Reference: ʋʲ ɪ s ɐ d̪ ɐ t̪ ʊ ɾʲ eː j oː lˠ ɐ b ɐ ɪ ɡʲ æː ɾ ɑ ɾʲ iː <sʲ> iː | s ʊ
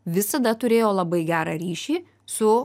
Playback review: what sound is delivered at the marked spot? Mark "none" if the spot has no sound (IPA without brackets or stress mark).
ʃʲ